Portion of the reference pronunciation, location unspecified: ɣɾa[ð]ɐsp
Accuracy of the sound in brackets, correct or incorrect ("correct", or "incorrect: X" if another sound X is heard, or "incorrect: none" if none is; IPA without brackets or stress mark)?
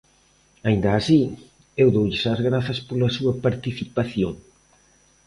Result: incorrect: θ